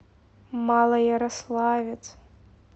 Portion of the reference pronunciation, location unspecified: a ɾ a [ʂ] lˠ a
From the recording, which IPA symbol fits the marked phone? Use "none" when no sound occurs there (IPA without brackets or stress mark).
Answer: s